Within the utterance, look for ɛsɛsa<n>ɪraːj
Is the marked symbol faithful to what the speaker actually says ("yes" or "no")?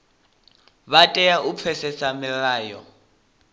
no